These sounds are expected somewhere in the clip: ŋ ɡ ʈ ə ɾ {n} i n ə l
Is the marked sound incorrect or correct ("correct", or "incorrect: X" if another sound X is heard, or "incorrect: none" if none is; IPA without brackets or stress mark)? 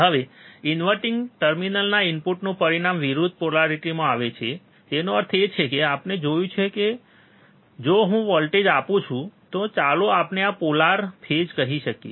incorrect: m